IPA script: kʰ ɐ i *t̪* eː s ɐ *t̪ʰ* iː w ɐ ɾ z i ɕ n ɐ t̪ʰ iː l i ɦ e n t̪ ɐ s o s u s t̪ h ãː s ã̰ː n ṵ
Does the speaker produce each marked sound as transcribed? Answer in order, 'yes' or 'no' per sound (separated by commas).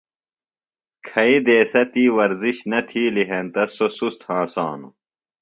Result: no, no